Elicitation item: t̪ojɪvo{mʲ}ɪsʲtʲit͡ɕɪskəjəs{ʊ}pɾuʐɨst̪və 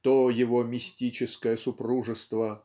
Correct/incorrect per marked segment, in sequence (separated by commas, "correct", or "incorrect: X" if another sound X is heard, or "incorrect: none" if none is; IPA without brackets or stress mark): correct, correct